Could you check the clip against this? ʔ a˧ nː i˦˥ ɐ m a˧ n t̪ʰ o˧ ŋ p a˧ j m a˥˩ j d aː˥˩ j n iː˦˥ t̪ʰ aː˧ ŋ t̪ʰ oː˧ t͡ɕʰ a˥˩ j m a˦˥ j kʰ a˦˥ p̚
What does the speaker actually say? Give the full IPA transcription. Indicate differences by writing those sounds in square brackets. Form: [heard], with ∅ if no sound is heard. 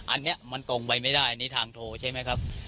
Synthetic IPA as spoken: ʔ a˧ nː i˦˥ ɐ m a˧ n [t̪] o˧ ŋ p a˧ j m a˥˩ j d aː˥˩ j n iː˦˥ t̪ʰ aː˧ ŋ t̪ʰ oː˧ t͡ɕʰ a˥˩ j m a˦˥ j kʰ a˦˥ p̚